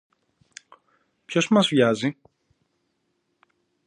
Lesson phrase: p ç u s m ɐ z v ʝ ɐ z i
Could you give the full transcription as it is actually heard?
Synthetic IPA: p ç o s m ɐ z v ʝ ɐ z i